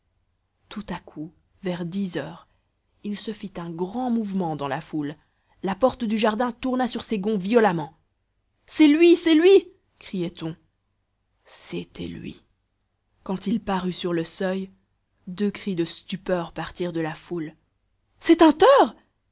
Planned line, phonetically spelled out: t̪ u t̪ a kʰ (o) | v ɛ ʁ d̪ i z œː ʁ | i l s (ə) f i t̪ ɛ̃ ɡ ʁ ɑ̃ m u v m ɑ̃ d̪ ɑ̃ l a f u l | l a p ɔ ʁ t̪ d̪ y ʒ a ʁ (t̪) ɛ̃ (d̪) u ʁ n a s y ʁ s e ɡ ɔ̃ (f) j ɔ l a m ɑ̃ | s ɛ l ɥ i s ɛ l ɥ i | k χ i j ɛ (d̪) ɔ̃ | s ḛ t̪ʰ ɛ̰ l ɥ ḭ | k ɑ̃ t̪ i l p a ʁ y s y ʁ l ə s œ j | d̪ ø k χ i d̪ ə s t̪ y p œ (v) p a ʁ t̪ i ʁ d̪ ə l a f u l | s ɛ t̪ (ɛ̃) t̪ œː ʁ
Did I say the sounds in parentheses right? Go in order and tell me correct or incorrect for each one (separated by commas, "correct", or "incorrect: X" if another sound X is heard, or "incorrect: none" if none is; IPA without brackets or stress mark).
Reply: incorrect: u, correct, incorrect: d̪, incorrect: t̪, incorrect: v, incorrect: t̪, incorrect: ʁ, correct